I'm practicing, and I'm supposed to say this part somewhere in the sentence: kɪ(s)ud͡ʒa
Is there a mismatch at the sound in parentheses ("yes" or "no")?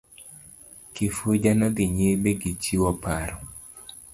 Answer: yes